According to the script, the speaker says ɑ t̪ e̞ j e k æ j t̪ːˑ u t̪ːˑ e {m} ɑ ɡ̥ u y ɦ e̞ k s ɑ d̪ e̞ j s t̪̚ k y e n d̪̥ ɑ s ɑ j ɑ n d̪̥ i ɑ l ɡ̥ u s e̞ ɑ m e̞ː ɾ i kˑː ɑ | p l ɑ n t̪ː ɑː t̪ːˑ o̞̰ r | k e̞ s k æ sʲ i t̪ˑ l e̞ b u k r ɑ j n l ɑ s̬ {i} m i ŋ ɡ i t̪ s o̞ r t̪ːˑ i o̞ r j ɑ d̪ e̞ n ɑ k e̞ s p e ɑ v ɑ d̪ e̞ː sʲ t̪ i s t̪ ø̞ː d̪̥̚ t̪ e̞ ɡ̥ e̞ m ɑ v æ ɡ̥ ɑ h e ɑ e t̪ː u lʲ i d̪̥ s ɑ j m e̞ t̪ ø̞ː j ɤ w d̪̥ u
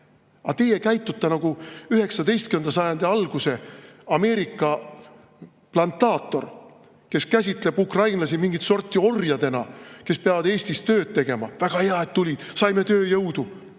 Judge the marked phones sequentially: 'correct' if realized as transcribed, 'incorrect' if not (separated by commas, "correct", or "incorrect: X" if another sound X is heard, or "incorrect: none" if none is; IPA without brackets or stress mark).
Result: incorrect: n, correct